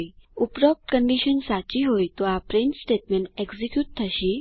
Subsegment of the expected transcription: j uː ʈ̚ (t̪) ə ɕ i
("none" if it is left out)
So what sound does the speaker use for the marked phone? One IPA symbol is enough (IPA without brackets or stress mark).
t̪ʰ